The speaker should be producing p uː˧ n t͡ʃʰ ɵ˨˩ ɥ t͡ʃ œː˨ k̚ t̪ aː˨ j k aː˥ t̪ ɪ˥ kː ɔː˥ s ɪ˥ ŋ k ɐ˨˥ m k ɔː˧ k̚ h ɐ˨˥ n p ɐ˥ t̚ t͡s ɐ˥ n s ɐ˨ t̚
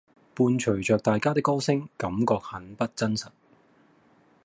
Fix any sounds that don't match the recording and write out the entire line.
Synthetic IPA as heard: p uː˧ n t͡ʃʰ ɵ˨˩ ɥ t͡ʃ œː˨ k̚ t̪ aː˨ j k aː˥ t̪ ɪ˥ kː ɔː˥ s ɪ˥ ŋ k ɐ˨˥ m k ɔː˧ k̚ h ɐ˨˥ n p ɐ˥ t̚ t͡s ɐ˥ n s ɐ˨ t̚